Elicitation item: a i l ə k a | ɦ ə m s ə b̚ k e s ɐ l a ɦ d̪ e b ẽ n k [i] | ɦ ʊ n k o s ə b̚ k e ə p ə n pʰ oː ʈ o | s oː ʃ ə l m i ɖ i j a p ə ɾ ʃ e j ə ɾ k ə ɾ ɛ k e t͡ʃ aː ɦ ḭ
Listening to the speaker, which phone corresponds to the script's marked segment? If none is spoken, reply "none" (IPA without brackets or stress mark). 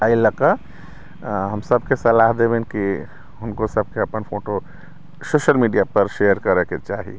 i